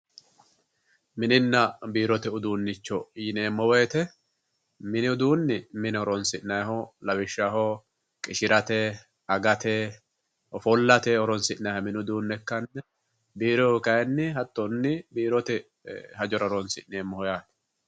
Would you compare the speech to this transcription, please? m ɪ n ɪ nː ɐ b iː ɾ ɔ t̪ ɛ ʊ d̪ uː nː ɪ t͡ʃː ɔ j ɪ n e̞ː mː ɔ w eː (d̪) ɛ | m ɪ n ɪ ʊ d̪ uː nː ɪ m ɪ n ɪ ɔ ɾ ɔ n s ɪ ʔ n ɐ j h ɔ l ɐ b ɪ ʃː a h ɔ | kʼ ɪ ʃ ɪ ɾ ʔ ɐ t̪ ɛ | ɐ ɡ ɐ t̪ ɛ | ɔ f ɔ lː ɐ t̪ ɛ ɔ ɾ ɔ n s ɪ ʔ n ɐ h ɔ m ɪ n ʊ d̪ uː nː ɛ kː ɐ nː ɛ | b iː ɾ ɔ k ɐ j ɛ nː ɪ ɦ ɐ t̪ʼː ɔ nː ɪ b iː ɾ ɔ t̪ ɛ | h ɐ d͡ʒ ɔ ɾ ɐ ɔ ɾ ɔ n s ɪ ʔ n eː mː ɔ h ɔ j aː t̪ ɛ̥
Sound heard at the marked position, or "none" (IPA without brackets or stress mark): t̪